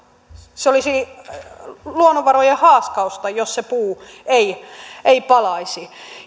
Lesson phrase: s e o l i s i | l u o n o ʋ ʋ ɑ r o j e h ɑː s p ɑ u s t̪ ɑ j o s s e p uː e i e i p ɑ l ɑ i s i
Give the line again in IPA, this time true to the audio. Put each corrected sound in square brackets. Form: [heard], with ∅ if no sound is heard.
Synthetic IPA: s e o l i s i | l u o n o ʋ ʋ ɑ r o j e h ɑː s [k] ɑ u s t̪ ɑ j o s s e p uː e i e i p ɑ l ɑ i s i